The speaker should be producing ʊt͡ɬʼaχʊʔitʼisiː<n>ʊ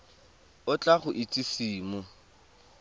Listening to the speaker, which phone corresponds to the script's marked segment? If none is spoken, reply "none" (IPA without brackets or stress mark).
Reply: m